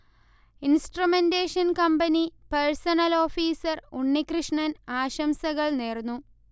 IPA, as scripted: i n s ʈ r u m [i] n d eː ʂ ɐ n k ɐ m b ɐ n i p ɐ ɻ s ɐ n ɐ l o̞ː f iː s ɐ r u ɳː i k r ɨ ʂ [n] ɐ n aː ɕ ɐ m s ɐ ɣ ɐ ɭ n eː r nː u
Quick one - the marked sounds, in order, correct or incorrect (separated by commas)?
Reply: incorrect, incorrect